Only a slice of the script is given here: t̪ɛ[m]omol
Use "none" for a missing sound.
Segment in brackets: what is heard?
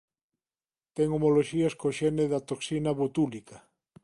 ŋ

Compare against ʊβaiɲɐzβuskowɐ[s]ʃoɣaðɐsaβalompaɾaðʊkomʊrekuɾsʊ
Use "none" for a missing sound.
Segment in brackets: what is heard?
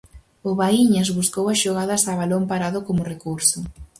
s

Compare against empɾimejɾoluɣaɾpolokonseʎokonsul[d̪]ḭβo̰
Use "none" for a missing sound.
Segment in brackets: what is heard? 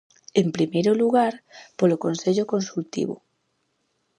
t̪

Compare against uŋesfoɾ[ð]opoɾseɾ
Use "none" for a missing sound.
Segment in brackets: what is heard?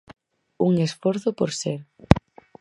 θ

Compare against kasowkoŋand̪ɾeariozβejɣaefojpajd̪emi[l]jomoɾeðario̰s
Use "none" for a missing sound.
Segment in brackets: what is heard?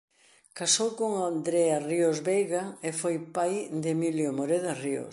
l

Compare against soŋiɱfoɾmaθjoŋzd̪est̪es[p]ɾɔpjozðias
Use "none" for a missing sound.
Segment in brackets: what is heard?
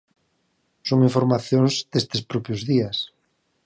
p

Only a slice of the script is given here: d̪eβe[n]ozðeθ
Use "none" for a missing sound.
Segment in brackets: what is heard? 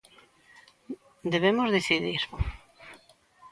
m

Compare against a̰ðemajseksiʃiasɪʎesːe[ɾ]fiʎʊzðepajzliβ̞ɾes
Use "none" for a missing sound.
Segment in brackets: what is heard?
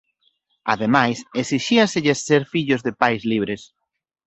ɾ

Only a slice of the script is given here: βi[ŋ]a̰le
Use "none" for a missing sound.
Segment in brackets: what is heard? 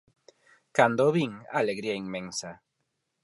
ŋ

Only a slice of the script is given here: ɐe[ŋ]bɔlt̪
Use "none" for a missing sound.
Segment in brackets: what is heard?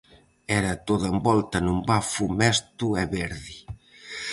m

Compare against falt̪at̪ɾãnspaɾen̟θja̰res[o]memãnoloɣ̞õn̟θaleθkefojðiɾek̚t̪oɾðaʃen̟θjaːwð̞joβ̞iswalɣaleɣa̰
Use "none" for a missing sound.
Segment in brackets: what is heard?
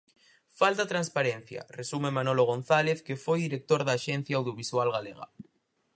u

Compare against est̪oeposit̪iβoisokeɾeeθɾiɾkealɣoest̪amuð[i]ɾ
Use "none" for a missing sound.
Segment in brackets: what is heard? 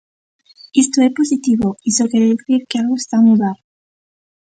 a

